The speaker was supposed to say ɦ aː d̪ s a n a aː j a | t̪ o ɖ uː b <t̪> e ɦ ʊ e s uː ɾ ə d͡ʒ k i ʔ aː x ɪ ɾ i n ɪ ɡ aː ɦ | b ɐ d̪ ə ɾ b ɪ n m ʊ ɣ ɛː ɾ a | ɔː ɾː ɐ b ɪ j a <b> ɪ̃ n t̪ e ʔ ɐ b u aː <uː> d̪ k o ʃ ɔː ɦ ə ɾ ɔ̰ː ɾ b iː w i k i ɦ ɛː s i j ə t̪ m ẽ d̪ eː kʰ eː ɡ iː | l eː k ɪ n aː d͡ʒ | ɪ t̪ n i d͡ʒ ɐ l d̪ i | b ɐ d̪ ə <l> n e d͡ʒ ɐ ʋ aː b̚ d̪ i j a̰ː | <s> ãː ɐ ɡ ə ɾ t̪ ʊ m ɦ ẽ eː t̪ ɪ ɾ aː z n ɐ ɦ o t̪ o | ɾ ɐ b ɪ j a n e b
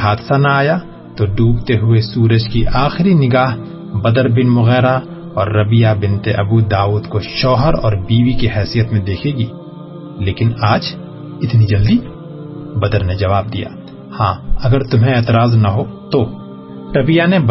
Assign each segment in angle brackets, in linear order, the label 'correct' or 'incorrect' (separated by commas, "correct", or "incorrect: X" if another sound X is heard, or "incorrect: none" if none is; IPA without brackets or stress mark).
correct, correct, correct, incorrect: ɾ, incorrect: h